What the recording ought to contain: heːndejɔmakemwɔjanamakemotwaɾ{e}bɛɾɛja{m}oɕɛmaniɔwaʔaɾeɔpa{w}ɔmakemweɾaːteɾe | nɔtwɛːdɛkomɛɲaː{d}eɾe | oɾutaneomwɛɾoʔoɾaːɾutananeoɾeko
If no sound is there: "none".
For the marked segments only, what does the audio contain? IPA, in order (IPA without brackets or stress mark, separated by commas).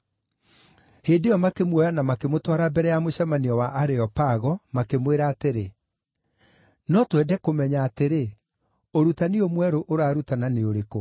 a, m, ɣ, t